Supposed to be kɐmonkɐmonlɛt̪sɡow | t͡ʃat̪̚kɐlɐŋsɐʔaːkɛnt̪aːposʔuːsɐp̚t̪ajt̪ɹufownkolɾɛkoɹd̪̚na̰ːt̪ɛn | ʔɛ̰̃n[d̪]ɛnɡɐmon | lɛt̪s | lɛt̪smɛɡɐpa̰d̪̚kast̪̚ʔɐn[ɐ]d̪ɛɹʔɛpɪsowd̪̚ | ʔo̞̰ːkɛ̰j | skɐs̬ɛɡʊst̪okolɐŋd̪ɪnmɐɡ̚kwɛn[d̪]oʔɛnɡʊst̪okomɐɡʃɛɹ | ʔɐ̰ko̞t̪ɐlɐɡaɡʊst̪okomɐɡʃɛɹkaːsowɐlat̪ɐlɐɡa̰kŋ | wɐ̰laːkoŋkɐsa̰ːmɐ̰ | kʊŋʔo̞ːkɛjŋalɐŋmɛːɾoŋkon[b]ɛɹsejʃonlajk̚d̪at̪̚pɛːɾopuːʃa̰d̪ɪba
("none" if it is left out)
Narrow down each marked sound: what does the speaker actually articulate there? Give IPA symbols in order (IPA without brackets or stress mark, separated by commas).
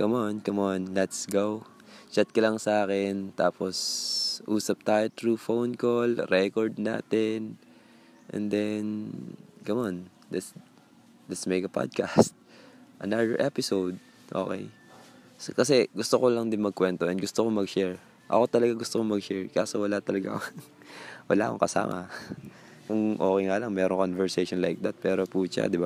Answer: d̪, a, t̪, v